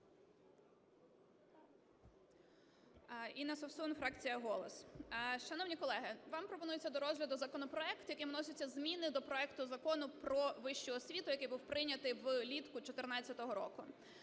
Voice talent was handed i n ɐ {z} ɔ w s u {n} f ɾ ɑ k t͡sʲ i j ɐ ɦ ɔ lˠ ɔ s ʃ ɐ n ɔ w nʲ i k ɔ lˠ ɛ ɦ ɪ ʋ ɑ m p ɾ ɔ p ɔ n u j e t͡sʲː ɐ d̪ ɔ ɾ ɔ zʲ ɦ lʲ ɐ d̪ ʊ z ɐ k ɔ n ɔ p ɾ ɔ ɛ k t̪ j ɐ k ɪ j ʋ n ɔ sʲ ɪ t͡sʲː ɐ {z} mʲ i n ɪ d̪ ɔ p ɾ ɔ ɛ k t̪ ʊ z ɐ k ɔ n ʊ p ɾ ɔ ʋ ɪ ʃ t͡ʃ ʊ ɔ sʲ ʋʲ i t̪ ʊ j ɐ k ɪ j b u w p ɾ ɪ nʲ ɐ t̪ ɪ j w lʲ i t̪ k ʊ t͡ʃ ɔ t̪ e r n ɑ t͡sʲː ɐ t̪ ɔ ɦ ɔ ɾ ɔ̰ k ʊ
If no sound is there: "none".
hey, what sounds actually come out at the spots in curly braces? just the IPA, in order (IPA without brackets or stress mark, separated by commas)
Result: s, n, z